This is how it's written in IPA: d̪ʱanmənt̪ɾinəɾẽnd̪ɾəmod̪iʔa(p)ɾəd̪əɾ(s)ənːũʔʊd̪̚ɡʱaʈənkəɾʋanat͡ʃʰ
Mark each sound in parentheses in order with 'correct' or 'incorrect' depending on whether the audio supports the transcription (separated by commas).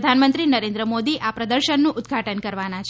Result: correct, incorrect